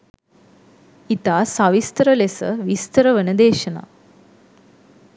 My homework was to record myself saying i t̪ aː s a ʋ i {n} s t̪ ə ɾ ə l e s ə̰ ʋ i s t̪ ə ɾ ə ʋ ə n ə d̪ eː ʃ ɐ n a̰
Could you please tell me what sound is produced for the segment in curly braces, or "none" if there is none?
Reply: none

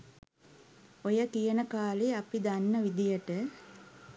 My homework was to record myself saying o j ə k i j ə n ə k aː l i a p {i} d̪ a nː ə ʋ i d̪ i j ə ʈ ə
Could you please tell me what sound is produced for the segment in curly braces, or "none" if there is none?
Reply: i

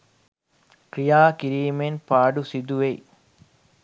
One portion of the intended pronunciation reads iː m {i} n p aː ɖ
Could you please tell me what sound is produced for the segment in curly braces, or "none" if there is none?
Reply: e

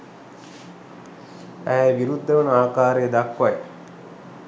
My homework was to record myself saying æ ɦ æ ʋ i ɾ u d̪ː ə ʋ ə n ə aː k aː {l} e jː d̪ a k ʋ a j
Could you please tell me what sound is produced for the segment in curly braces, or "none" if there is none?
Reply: ɾ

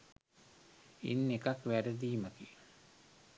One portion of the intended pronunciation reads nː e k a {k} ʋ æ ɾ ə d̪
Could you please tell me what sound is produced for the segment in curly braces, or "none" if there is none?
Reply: k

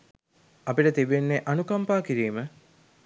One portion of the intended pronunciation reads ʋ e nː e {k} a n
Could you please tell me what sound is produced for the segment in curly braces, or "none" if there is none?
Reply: ʔ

